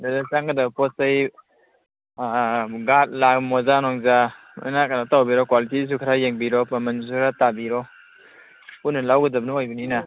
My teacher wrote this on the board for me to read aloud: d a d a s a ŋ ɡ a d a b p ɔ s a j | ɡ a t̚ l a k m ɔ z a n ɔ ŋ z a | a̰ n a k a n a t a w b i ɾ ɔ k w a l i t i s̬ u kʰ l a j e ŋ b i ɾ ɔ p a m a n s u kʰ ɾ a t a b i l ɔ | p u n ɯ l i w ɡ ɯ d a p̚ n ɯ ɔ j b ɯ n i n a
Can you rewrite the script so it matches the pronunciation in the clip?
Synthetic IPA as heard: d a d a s a ŋ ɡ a d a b p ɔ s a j | ɡ a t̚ l a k m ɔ z a n ɔ ŋ z a | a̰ n a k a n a t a w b i ɾ ɔ k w a l i t i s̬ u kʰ ɾ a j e ŋ b i ɾ ɔ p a m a n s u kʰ ɾ a t a b i ɾ ɔ | p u n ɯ l a w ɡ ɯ d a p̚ n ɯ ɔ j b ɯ n i n a